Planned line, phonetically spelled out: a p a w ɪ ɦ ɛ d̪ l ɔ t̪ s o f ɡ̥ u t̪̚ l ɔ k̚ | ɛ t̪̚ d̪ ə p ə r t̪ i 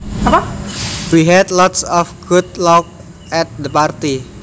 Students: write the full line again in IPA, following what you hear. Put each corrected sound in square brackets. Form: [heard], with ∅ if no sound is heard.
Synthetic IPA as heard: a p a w [i] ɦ ɛ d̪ l ɔ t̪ s [ɔ] f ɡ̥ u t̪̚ l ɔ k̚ | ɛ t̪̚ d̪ ə p [a] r t̪ i